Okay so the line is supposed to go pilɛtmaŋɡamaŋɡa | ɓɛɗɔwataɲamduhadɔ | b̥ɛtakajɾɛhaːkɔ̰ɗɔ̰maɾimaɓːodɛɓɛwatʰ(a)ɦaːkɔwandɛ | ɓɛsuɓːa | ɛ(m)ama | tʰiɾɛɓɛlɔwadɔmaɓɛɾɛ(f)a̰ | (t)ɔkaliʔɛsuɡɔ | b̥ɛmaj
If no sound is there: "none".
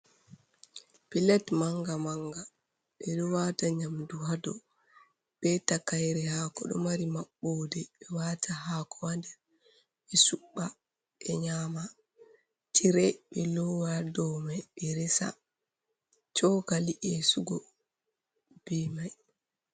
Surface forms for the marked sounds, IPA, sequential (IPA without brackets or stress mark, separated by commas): a, ɲ, s, t͡ʃ